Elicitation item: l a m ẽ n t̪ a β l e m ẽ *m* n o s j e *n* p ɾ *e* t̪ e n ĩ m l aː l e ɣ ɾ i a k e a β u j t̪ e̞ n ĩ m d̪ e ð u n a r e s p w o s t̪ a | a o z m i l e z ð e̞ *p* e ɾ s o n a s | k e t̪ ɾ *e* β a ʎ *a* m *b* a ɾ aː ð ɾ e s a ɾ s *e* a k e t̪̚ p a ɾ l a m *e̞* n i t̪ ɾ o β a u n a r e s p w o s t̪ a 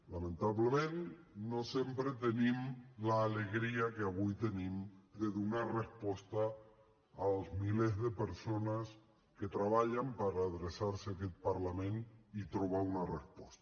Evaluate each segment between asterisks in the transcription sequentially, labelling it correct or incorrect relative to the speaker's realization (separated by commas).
incorrect, incorrect, correct, correct, incorrect, correct, incorrect, correct, incorrect